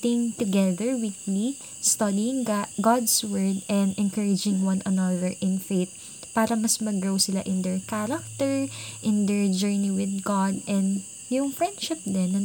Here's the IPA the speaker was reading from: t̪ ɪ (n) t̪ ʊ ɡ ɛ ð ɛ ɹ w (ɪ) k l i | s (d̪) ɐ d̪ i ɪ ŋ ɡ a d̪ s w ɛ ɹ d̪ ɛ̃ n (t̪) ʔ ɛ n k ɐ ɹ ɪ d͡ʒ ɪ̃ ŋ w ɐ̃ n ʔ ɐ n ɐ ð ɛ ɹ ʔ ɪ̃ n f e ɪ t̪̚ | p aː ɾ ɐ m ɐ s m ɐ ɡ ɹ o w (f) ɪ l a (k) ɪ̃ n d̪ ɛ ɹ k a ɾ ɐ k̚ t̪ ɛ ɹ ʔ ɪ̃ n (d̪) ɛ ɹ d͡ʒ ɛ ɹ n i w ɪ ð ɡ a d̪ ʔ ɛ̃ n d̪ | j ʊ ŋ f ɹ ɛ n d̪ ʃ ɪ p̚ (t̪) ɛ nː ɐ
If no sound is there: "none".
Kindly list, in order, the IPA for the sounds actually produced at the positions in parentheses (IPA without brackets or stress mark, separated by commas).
ŋ, i, t̪, d̪, s, ʔ, d̪, d̪